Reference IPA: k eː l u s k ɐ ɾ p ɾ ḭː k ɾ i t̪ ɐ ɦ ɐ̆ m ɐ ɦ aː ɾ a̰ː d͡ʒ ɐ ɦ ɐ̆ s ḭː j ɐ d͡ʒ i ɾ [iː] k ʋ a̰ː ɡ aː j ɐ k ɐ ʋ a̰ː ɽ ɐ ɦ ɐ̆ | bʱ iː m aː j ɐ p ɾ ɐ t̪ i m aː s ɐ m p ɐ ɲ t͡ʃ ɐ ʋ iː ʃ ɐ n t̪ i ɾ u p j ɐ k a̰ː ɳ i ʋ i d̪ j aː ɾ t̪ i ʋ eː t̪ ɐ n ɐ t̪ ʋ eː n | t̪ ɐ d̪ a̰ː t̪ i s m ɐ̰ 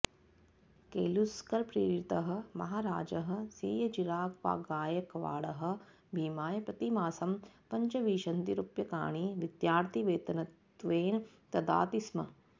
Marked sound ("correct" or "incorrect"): incorrect